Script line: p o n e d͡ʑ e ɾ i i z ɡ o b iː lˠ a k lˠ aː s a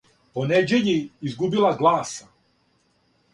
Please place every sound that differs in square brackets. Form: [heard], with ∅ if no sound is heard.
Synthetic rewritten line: p o n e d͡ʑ e [ʎ] i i z ɡ [u] b [i] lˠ a [ɡ] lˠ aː s a